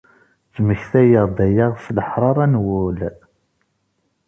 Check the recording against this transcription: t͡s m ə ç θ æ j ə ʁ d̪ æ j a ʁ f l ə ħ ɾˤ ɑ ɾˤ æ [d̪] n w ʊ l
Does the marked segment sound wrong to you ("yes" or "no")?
yes